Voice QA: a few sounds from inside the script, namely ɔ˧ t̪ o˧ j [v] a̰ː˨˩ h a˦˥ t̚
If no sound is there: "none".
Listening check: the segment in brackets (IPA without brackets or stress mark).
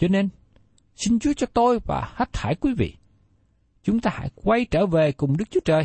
v